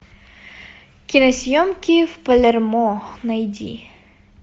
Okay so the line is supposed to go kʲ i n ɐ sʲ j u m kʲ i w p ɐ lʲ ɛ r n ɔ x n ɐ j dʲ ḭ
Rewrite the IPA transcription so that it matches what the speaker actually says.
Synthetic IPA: kʲ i n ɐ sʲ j ɔ m kʲ i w p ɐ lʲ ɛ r m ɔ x n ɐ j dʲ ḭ

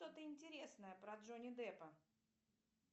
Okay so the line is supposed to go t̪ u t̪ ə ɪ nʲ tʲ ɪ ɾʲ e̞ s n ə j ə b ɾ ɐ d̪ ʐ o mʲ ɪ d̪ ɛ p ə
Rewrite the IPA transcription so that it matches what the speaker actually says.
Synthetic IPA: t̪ o t̪ ə ɪ nʲ tʲ ɪ ɾʲ e̞ s n ə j ə p ɾ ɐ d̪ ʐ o nʲ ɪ d̪ ɛ p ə

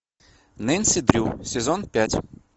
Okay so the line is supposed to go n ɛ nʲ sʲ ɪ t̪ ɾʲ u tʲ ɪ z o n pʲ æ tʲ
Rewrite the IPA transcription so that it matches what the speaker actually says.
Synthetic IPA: n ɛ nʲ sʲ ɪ d̪ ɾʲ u sʲ ɪ z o n pʲ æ tʲ

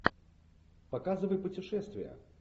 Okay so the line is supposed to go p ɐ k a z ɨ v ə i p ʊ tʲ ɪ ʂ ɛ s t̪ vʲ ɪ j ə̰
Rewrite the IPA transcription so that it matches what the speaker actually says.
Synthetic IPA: p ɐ k a z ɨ v ə j p ʊ tʲ ɪ ʂ ɛ s t̪ vʲ ɪ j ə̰

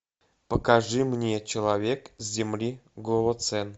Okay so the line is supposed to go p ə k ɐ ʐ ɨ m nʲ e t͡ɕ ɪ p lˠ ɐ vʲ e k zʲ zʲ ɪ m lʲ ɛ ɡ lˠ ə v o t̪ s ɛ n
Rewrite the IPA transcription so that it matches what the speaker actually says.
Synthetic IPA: p ə k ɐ ʐ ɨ m nʲ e t͡ɕ ɪ lˠ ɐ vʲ e k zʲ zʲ ɪ m lʲ i ɡ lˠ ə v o t̪ s ɛ n

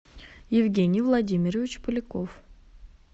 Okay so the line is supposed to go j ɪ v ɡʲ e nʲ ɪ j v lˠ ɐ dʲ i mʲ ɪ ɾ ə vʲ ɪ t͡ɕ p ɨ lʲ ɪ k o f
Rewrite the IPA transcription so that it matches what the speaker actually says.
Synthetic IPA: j ɪ v ɡʲ e nʲ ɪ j v lˠ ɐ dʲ i mʲ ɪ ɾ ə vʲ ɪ t͡ɕ p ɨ lʲ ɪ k o f

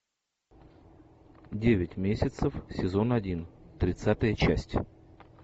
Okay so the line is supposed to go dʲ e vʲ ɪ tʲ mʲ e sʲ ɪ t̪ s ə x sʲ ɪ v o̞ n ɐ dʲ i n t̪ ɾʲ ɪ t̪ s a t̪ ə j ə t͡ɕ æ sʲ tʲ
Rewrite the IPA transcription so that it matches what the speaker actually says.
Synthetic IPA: dʲ e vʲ ɪ tʲ mʲ e sʲ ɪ t̪ s ə f sʲ ɪ z o̞ n ɐ dʲ i n t̪ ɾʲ ɪ t̪ s a t̪ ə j ə t͡ɕ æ sʲ tʲ

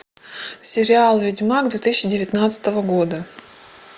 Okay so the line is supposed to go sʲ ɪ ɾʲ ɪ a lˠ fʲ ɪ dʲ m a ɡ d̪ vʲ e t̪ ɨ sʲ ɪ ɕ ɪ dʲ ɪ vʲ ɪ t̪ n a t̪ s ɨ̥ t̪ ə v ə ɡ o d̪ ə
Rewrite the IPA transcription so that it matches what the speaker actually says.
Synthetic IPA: sʲ ɪ ɾʲ ɪ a lˠ vʲ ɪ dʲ m a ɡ d̪ vʲ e t̪ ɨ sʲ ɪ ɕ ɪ dʲ ɪ vʲ ɪ t̪ n a t̪ s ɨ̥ t̪ ə v ə ɡ o d̪ ə

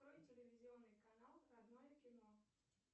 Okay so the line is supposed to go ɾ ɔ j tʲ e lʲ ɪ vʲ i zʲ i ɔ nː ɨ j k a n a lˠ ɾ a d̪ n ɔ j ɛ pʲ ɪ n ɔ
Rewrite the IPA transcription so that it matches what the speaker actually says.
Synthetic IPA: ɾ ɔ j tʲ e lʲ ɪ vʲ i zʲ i ɔ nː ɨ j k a n a lˠ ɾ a d̪ n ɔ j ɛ kʲ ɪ n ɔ

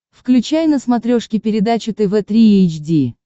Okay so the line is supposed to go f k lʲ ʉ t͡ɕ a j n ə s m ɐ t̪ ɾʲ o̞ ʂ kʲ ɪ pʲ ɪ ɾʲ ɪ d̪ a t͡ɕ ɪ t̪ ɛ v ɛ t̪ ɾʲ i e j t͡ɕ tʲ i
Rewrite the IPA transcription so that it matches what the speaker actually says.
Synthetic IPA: f k lʲ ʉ t͡ɕ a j n ə s m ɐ t̪ ɾʲ o̞ ʂ kʲ ɪ pʲ ɪ ɾʲ ɪ d̪ a t͡ɕ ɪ t̪ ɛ v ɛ t̪ ɾʲ i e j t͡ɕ dʲ i

